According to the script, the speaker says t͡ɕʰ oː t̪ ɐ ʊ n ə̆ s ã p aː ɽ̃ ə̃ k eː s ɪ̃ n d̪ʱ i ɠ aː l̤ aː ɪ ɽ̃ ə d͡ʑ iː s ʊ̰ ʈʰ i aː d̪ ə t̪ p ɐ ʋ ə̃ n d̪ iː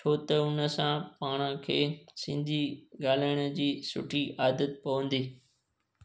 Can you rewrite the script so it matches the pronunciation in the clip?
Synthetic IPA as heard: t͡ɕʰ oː t̪ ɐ ʊ n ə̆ s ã p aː ɽ̃ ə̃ kʰ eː s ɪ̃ n d̪ʱ i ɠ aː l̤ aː ɪ ɽ̃ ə d͡ʑ iː s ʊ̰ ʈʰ i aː d̪ ə t̪ p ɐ ʋ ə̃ n d̪ iː